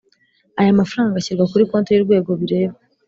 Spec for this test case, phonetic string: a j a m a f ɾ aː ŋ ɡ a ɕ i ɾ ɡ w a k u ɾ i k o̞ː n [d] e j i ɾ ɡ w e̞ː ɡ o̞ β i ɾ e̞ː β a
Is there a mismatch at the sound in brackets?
yes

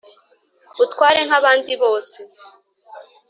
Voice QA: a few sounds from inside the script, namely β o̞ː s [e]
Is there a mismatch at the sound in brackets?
no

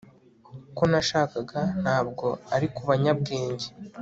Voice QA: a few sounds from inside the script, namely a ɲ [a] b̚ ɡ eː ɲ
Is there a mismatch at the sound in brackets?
no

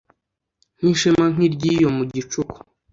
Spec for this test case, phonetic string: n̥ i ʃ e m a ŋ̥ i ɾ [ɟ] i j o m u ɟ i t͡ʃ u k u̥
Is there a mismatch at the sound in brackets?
no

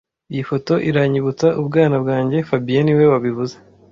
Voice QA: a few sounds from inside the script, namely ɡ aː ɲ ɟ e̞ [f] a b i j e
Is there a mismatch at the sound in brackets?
no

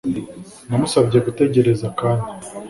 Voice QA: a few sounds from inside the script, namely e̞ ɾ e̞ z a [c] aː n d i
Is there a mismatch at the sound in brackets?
yes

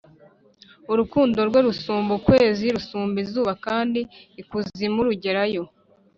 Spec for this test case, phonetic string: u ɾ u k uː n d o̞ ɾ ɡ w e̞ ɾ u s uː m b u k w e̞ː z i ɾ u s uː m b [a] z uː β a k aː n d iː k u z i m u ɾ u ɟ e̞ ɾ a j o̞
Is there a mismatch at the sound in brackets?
yes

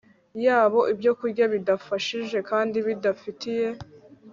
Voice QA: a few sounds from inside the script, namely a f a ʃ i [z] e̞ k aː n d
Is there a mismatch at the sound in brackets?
yes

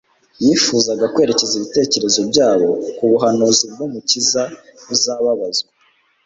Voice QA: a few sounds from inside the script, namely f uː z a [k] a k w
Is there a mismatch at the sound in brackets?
yes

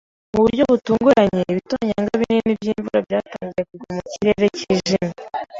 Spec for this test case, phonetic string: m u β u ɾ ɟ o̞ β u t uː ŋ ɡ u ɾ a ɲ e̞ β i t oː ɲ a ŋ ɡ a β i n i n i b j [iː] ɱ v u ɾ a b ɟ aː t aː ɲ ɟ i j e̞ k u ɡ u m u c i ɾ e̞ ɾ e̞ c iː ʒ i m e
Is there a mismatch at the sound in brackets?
no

